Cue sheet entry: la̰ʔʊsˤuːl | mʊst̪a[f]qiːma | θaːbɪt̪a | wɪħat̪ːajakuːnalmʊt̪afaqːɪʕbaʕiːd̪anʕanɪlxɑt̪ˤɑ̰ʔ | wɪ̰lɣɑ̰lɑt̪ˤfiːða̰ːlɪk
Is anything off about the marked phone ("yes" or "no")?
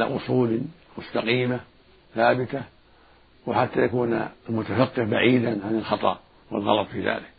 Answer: yes